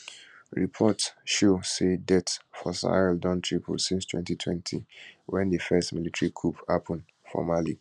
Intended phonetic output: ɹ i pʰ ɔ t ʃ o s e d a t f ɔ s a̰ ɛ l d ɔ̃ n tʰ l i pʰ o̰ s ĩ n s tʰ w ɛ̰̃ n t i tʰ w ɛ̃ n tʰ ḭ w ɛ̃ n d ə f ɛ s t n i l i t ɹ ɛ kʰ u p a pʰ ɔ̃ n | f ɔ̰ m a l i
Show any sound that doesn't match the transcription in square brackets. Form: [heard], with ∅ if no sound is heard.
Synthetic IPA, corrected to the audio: ɹ i pʰ ɔ t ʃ o s e d [ɛ] t f ɔ s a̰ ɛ l d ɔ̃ n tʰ [ɹ] i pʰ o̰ s ĩ n s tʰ w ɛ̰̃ n t i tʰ w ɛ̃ n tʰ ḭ w ɛ̃ n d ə f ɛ s t [m] i l i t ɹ [i] kʰ u p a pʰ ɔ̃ n | f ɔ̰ m a l i